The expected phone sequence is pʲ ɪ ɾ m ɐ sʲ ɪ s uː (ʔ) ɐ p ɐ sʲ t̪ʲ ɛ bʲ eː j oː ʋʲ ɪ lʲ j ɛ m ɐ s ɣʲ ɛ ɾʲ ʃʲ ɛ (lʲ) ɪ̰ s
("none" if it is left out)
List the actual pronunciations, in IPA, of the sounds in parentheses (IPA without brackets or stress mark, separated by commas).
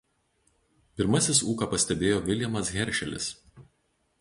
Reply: k, lʲ